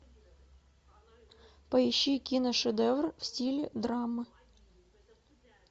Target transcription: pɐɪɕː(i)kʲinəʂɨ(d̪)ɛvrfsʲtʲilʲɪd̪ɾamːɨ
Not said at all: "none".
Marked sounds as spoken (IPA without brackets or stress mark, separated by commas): i, d̪